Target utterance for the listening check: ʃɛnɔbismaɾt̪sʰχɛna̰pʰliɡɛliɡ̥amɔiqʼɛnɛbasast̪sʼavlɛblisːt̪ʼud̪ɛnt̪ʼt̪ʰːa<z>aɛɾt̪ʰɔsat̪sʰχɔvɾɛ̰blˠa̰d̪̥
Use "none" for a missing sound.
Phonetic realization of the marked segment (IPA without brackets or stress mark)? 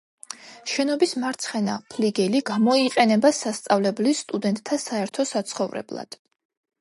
s